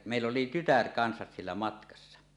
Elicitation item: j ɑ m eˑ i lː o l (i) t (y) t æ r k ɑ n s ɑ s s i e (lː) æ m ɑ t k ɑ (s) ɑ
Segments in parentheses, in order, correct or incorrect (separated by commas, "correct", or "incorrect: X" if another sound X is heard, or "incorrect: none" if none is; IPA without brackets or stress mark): correct, correct, correct, incorrect: sː